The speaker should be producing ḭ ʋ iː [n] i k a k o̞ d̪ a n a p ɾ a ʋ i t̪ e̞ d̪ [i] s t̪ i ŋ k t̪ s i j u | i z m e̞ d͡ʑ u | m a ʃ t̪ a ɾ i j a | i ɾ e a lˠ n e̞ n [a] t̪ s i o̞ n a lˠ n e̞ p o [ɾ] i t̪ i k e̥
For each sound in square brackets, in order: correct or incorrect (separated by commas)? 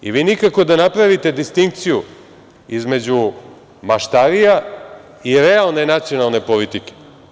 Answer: correct, correct, correct, incorrect